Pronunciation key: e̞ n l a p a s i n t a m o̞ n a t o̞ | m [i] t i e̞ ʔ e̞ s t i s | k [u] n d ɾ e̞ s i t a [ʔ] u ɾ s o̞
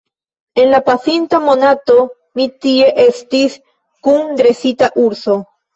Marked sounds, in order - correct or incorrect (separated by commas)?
correct, correct, correct